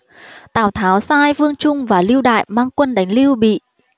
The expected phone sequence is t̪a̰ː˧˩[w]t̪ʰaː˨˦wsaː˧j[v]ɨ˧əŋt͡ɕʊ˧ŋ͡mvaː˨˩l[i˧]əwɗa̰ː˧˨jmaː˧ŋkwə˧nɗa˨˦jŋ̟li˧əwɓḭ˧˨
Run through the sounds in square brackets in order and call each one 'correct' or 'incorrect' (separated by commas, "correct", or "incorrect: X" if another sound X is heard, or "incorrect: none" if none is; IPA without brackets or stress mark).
correct, correct, correct